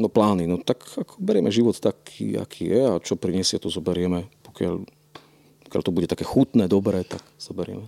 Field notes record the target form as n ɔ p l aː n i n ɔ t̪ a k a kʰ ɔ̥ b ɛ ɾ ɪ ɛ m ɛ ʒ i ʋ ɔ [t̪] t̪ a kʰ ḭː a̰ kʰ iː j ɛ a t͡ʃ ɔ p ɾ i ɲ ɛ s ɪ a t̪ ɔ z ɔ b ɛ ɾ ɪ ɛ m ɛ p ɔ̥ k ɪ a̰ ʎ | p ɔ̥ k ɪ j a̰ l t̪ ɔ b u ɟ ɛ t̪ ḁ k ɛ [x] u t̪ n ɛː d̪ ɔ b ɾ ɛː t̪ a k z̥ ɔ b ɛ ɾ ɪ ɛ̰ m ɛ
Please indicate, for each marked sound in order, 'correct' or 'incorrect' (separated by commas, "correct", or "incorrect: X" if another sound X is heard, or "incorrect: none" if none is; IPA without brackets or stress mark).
correct, correct